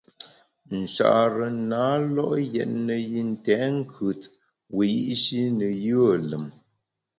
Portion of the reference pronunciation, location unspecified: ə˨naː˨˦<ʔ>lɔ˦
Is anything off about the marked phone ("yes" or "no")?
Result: yes